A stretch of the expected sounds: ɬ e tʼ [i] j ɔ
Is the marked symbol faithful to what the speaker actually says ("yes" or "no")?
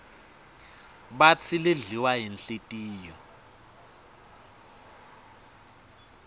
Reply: no